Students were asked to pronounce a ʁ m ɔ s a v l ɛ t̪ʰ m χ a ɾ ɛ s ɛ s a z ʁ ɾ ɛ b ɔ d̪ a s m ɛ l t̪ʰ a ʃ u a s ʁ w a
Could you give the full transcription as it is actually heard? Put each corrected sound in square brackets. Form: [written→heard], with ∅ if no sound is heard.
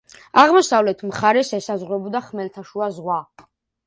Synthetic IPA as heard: a ʁ m ɔ s a v l ɛ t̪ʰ m χ a ɾ ɛ s ɛ s a z ʁ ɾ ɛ b ɔ d̪ a [s→χ] m ɛ l t̪ʰ a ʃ u a [s→z] ʁ w a